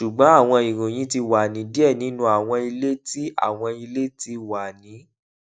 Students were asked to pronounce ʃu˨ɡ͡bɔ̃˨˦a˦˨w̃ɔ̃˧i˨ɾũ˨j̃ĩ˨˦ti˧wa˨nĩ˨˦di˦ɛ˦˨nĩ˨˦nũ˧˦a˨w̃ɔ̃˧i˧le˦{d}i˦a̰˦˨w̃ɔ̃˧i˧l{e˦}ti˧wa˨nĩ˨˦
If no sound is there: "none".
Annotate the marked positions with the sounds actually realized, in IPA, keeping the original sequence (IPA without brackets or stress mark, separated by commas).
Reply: t, e˦